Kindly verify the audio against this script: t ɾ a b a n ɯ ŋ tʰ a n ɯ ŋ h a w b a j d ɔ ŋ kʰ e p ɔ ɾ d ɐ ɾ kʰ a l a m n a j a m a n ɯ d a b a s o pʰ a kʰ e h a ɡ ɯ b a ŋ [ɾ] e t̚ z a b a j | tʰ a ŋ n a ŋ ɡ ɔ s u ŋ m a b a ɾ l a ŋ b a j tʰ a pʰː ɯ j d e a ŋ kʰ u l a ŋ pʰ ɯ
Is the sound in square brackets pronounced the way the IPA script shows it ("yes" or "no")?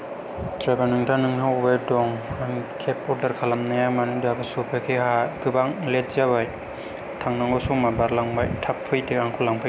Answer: no